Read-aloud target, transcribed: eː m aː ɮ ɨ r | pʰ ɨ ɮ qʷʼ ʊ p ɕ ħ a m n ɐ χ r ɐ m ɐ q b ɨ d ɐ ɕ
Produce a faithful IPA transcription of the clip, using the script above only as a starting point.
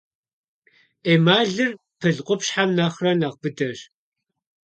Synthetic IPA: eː m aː ɮ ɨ r | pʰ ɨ ɮ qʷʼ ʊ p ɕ ħ a m n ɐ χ r ɐ n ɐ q b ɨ d ɐ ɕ